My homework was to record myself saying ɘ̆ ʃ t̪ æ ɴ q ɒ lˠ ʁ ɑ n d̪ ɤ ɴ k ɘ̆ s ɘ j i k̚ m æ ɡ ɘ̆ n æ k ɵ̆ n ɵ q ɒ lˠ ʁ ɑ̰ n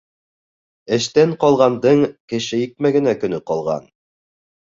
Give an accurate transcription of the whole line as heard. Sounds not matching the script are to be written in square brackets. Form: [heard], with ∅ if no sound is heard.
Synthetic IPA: ɘ̆ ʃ t̪ æ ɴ q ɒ lˠ ʁ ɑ n d̪ ɤ ɴ k ɘ̆ [ʃ] ɘ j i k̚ m æ ɡ ɘ̆ n æ k ɵ̆ n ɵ q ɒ lˠ ʁ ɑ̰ n